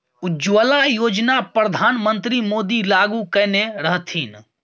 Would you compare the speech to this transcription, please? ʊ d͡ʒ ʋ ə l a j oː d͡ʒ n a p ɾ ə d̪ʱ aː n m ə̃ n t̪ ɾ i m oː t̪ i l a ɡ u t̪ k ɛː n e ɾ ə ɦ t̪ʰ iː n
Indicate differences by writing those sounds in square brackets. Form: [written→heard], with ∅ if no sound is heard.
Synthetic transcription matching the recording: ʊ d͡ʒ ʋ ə l a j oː d͡ʒ n a p ɾ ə d̪ʱ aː n m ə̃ n t̪ ɾ i m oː [t̪→d̪] i l a ɡ u [t̪→∅] k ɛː n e ɾ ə ɦ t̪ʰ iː n